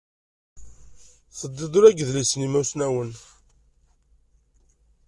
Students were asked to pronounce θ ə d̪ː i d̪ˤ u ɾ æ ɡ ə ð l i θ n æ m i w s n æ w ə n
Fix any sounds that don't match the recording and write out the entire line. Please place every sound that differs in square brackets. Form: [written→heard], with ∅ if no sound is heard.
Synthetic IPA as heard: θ ə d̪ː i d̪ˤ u ɾ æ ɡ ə ð l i [θ→s] n [æ→i] m [i→æ] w s n æ w ə n